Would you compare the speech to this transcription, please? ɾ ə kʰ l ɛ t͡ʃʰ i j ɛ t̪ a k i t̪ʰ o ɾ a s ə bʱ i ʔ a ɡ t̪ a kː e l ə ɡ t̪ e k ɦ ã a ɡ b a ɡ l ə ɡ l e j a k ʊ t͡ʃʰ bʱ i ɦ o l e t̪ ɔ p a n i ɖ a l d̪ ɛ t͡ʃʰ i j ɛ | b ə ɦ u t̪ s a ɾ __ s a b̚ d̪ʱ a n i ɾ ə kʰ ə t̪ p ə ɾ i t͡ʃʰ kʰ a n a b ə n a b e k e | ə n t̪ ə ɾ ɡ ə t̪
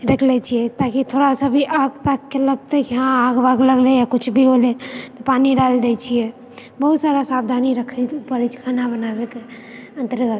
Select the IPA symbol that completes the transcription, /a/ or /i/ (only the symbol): a